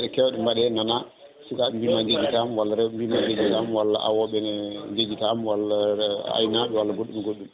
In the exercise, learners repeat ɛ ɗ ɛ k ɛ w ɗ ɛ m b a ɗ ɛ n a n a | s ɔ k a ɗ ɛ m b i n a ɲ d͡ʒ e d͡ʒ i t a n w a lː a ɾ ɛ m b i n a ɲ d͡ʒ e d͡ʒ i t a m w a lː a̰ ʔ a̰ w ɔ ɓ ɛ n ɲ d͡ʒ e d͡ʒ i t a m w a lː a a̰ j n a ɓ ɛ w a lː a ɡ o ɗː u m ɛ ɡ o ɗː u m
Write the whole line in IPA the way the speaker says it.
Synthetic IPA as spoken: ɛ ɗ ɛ k ɛ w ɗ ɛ m b a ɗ ɛ n a n a | s u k a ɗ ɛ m b i m a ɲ d͡ʒ e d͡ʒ i t a m w a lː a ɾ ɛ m b i m a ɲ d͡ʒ e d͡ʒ i t a m w a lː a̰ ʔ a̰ w ɔ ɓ ɛ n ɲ d͡ʒ e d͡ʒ i t a m w a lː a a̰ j n a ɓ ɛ w a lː a ɡ o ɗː u m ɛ ɡ o ɗː u m